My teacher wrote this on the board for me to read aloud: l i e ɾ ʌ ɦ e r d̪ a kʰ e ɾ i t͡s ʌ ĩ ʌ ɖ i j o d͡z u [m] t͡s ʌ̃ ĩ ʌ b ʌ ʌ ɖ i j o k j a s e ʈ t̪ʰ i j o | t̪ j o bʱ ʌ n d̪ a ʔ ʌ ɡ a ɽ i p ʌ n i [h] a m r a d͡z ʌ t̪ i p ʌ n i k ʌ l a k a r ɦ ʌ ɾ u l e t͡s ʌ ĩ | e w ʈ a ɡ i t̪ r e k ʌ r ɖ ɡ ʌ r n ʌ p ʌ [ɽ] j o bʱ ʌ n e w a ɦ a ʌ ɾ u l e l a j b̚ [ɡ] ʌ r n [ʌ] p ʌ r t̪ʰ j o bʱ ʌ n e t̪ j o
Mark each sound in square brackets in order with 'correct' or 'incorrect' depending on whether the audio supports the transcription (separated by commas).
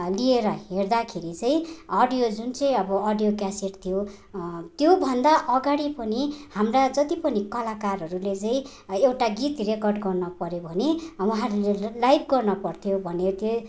incorrect, correct, incorrect, correct, correct